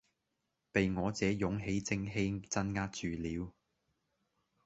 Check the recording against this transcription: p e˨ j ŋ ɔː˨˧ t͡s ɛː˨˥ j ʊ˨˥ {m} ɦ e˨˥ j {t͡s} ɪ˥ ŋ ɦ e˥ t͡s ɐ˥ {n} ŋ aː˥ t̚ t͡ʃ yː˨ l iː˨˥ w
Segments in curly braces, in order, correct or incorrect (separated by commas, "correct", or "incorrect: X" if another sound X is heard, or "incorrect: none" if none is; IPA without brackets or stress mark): incorrect: ŋ, correct, correct